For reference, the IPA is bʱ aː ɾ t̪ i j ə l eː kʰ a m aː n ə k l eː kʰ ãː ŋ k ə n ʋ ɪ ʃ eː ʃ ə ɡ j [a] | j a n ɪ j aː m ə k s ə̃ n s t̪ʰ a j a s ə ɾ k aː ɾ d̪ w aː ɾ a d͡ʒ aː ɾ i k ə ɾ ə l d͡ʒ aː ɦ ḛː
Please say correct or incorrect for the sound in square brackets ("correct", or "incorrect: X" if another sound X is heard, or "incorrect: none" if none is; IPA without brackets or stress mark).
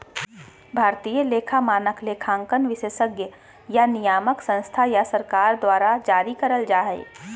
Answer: incorrect: ə